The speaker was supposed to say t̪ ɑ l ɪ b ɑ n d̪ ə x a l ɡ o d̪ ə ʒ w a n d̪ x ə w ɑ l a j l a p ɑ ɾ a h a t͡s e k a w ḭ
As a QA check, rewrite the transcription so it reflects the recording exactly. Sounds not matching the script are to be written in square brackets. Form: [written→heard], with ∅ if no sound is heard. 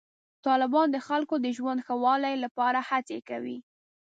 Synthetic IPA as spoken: t̪ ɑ l ɪ b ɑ n d̪ ə x a l [ɡ→k] o d̪ ə ʒ w a n d̪ x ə w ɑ l a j l a p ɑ ɾ a h a t͡s e k a w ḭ